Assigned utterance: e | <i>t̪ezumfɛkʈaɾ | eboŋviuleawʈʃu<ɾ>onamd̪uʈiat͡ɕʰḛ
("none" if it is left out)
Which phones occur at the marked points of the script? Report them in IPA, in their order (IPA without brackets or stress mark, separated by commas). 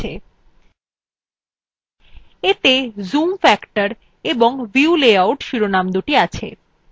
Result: e, ɾ